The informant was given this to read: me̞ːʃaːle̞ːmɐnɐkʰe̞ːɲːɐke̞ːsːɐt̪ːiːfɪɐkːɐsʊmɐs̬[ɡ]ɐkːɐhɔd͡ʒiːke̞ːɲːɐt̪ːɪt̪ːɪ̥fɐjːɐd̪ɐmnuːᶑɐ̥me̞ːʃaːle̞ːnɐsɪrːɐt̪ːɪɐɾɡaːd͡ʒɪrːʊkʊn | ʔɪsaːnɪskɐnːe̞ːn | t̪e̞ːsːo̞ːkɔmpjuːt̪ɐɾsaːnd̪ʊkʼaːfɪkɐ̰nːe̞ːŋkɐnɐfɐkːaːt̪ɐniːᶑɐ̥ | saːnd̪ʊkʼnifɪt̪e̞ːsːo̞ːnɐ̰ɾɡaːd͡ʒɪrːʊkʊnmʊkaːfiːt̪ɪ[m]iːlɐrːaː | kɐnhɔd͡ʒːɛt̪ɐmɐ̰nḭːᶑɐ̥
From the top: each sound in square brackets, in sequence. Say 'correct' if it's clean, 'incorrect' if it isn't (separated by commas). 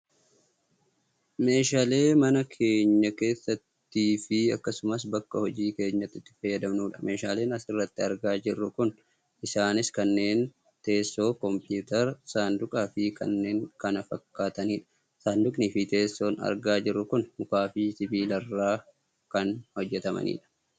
incorrect, incorrect